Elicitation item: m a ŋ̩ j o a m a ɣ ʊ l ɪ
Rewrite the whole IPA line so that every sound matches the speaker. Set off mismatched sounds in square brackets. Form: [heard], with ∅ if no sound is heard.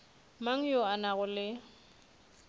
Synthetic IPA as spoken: m a ŋ̩ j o a [n] a ɣ ʊ l ɪ